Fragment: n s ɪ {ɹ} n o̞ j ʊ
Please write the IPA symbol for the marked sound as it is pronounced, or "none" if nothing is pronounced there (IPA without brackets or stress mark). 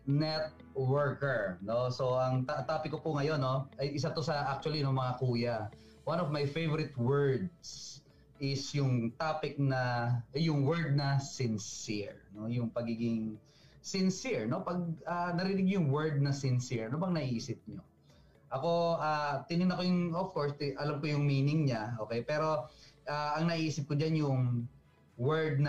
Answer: ɹ